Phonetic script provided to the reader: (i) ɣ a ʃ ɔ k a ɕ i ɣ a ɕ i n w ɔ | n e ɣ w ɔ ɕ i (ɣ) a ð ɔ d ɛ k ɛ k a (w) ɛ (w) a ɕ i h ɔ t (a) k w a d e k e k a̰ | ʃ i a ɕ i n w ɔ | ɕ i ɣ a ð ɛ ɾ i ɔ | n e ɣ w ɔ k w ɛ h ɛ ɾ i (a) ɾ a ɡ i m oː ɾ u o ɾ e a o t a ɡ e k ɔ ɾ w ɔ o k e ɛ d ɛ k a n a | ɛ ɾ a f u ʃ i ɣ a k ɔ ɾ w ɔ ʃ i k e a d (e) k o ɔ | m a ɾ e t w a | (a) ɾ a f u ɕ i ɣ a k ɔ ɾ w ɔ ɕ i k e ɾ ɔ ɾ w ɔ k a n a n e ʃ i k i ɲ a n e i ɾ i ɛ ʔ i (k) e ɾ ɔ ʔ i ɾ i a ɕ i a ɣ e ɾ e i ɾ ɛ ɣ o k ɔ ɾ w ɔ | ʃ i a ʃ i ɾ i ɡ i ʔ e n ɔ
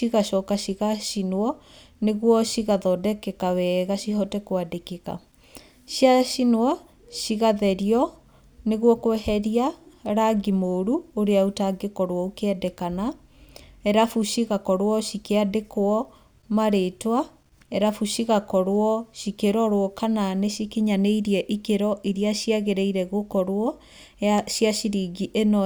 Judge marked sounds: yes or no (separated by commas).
yes, yes, yes, no, no, yes, yes, no, yes